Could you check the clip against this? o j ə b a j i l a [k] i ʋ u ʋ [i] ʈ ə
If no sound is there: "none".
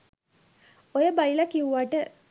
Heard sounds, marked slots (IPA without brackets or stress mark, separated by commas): k, a